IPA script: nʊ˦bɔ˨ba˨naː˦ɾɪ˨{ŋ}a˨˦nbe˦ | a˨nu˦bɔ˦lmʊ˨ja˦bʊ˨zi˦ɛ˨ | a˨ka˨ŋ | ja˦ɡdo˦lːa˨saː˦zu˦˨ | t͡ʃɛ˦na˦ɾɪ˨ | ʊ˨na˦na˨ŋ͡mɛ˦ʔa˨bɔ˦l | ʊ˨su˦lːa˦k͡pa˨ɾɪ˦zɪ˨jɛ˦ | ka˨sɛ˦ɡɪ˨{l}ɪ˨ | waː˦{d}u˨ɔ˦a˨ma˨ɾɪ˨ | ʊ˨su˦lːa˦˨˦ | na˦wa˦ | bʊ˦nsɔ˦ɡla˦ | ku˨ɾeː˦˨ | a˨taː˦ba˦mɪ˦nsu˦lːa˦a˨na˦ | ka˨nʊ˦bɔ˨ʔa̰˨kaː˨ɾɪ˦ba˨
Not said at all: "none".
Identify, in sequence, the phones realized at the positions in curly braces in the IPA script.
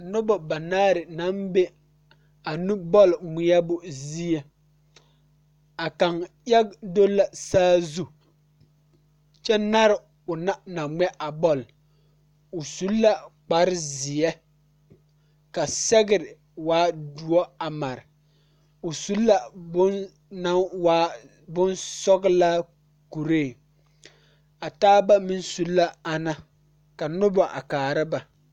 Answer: n, ɾ, d

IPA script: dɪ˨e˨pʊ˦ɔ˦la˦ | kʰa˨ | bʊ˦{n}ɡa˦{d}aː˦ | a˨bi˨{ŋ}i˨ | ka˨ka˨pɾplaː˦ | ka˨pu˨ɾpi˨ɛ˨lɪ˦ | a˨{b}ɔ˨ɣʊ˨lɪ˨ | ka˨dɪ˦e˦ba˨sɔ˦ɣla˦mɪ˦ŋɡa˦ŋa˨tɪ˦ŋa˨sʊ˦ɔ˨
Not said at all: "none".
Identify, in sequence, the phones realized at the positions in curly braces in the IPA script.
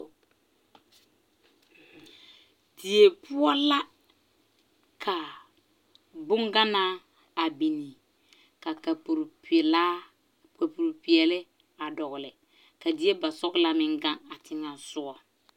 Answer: ŋ, n, n, d

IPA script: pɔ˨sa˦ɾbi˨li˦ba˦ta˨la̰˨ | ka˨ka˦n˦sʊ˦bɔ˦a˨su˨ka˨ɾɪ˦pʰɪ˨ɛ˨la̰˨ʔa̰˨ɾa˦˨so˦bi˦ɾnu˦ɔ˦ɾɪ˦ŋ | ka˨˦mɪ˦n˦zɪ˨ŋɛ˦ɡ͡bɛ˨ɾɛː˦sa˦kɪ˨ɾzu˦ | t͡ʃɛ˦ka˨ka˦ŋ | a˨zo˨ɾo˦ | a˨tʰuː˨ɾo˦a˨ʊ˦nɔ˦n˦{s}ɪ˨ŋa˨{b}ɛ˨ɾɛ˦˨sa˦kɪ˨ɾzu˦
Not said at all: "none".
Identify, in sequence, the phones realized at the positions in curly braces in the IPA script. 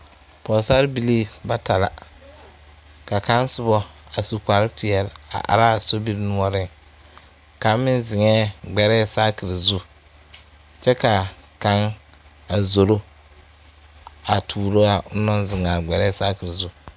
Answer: z, ɡ͡b

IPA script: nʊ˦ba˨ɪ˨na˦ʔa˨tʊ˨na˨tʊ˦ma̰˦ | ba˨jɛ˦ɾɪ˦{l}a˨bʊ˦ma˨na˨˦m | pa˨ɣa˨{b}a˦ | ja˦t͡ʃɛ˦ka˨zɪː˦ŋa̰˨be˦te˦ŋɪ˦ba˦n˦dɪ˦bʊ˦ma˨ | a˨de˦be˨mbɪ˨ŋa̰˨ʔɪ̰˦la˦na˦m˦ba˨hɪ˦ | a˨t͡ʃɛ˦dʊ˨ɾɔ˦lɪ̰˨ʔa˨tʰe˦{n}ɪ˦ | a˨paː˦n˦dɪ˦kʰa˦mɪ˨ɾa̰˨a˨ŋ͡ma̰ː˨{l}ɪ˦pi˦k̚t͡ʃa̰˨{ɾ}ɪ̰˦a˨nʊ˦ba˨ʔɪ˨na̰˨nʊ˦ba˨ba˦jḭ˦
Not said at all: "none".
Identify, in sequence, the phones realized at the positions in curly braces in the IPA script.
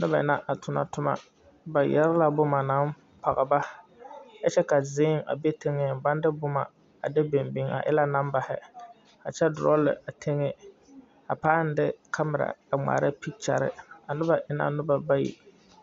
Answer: l, b, ŋ, ɾ, ɾ

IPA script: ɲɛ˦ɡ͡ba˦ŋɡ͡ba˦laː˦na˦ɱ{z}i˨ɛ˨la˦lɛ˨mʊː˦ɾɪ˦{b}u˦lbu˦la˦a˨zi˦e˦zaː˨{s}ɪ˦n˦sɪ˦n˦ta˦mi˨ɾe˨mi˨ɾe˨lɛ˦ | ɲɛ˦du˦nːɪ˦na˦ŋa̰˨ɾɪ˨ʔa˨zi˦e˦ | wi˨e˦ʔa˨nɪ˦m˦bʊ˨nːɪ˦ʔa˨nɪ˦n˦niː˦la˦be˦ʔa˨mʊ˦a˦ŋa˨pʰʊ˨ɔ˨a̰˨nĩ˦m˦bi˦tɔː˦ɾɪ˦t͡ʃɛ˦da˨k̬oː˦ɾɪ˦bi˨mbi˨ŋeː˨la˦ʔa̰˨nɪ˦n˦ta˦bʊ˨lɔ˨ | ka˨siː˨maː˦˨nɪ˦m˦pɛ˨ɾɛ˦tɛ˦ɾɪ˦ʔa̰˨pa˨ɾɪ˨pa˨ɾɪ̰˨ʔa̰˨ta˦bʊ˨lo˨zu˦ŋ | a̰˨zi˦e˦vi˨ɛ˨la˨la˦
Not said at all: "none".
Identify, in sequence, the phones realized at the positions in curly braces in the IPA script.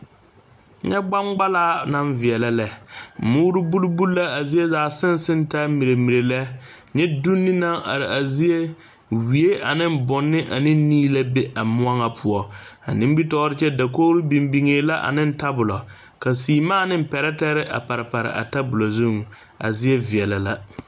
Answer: v, b, s

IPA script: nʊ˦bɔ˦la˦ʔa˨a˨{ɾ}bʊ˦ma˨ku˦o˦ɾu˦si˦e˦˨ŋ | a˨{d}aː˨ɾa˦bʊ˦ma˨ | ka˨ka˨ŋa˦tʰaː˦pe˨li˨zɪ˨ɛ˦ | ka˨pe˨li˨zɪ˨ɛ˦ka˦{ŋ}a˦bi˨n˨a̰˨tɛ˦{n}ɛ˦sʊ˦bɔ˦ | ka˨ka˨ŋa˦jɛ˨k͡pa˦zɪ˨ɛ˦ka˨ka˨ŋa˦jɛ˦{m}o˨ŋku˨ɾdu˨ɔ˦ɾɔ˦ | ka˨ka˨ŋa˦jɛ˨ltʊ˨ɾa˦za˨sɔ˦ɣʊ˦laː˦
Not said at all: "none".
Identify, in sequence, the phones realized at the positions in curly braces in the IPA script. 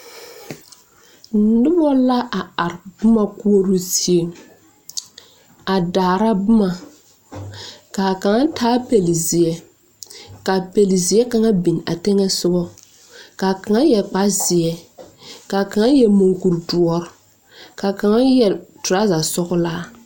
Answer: ɾ, d, ŋ, ŋ, m

